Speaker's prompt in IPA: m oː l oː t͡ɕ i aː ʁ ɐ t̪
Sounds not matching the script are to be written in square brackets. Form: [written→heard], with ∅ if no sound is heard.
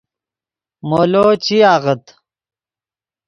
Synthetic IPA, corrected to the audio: m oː l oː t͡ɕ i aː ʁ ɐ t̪